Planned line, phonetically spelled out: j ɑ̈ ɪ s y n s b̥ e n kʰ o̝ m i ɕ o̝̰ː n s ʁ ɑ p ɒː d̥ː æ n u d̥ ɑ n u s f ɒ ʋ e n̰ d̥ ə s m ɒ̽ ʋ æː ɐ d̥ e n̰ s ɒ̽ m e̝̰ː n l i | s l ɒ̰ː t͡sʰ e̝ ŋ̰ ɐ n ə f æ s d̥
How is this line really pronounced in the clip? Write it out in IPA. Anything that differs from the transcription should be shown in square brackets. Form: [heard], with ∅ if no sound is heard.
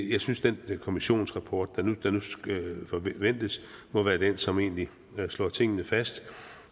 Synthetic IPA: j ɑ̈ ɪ s y n s [d̥] e n kʰ o̝ m i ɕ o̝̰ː n s ʁ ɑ [pʰ] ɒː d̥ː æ n u d̥ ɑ n u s f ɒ ʋ e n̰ d̥ ə s m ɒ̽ ʋ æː ɐ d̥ e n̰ s ɒ̽ m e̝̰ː n l i | s l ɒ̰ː t͡sʰ e̝ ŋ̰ [ə] n ə f æ s d̥

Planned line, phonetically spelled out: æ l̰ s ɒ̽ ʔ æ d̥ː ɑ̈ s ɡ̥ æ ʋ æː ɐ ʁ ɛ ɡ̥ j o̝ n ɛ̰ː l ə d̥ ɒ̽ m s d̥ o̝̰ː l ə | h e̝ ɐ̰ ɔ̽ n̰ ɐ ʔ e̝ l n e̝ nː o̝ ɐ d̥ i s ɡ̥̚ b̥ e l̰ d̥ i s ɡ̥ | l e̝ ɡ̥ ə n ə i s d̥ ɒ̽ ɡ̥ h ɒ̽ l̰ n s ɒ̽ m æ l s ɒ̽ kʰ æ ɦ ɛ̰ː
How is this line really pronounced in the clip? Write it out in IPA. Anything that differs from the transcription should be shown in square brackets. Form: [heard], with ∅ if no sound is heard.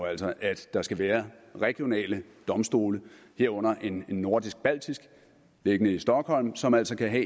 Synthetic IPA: æ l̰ s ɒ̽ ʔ æ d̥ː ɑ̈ s ɡ̥ æ ʋ æː ɐ ʁ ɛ ɡ̥ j o̝ n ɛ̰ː l ə d̥ ɒ̽ m s d̥ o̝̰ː l ə | h e̝ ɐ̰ ɔ̽ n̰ ɐ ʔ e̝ [∅] n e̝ nː o̝ ɐ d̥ i s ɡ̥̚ b̥ [æ] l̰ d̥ i s ɡ̥ | l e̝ ɡ̥ ə n ə i s d̥ ɒ̽ ɡ̥ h ɒ̽ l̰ [m] s ɒ̽ m æ l s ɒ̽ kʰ æ ɦ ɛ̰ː

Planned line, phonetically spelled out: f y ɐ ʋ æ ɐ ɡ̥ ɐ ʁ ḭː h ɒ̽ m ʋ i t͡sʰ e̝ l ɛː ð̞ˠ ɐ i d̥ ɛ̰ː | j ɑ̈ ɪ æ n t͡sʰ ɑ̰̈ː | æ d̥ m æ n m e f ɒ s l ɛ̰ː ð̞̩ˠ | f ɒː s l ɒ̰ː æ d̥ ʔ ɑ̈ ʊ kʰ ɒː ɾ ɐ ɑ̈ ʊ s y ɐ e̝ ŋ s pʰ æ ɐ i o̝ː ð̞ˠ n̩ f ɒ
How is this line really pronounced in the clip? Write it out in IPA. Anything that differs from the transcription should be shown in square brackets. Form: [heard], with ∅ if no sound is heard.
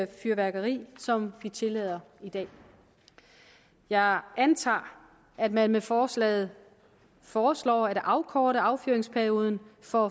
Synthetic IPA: f y ɐ ʋ æ ɐ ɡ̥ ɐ ʁ ḭː [s] ɒ̽ m ʋ i t͡sʰ e̝ l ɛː ð̞ˠ ɐ i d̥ ɛ̰ː | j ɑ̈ ɪ æ n t͡sʰ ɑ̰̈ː | æ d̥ m æ n m e f [ɒː] s l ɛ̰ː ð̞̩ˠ | f ɒː s l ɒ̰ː æ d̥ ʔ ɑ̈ ʊ kʰ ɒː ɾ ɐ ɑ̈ ʊ [f] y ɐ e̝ ŋ s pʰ æ ɐ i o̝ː ð̞ˠ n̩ f ɒ

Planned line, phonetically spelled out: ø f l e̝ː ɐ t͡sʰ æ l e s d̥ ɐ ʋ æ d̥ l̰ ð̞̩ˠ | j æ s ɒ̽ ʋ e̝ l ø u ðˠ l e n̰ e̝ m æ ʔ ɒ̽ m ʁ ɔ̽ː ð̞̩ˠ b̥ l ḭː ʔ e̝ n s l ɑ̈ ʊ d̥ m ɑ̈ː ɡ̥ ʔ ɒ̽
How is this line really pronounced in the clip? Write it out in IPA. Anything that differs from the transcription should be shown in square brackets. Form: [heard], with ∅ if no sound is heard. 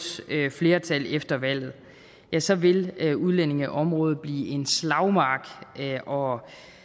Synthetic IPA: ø f l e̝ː ɐ t͡sʰ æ l e [f] d̥ ɐ ʋ æ [∅] l̰ ð̞̩ˠ | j æ s ɒ̽ ʋ e̝ l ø u ðˠ l e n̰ e̝ [ŋ] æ ʔ ɒ̽ m ʁ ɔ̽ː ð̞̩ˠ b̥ l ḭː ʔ e̝ n s l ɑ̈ ʊ [∅] m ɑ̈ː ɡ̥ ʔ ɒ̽

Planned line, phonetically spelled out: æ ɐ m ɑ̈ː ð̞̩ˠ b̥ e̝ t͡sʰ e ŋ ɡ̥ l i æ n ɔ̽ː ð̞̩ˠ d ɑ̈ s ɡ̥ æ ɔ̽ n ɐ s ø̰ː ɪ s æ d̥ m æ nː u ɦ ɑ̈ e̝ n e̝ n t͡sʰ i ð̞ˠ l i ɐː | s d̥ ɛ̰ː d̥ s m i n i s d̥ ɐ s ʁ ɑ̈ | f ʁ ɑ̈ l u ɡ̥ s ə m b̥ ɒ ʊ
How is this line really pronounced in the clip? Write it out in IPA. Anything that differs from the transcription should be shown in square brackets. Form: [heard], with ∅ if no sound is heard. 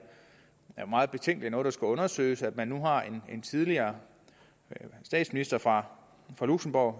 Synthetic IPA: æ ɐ m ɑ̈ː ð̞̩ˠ b̥ e̝ t͡sʰ e ŋ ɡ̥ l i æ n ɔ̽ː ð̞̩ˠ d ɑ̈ s ɡ̥ æ ɔ̽ n ɐ s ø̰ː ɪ s æ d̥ m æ nː u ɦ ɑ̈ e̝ n e̝ n t͡sʰ i ð̞ˠ l i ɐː | s d̥ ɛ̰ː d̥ s m i n i s d̥ ɐ [f] ʁ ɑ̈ | f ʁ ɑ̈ l u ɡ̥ s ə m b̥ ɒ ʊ

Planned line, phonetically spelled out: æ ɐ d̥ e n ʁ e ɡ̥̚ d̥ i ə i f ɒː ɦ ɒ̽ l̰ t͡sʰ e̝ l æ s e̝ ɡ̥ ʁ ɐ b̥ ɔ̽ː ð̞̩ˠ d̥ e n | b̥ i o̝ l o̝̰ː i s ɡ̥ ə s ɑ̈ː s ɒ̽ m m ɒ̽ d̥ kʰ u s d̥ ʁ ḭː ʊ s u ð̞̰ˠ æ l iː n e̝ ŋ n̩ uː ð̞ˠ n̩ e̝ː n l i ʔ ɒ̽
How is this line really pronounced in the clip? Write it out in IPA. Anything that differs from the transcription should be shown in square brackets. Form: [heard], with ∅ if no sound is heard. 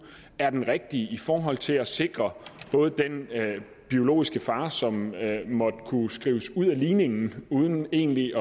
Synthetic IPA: æ ɐ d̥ e n ʁ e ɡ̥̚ d̥ i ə i f ɒː ɦ ɒ̽ l̰ t͡sʰ e̝ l æ s e̝ ɡ̥ ʁ ɐ b̥ ɔ̽ː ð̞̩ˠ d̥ e n | b̥ i o̝ l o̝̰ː i s ɡ̥ ə [f] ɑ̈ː s ɒ̽ m m ɒ̽ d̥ kʰ u s [ɡ̥] ʁ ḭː ʊ s u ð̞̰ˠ æ l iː n e̝ ŋ n̩ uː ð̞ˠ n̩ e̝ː n l i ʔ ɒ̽

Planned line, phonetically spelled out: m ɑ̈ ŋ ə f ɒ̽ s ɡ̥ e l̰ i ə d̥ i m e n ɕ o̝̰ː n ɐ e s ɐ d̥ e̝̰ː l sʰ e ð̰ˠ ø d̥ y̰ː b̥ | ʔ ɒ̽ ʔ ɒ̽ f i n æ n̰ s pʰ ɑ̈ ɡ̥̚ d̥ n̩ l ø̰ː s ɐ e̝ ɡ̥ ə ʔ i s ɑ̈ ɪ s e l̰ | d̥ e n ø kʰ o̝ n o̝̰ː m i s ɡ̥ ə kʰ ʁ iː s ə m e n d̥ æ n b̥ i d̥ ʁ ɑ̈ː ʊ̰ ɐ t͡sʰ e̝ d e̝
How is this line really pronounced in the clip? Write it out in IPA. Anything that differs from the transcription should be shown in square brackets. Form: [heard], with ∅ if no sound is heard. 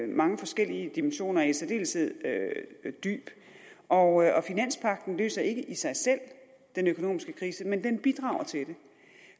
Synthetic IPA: m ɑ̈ ŋ ə f ɒ̽ s ɡ̥ e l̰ i ə d̥ i m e n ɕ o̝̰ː n ɐ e s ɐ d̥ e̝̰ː l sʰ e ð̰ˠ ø d̥ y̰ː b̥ | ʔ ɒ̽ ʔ ɒ̽ f i n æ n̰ s pʰ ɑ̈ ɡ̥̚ d̥ n̩ l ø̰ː s ɐ e̝ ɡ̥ ə ʔ i s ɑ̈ ɪ s e l̰ | d̥ e n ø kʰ o̝ n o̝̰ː m i s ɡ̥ ə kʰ ʁ iː s ə m e n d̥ [e] n b̥ i d̥ ʁ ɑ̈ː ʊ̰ ɐ t͡sʰ e̝ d e̝

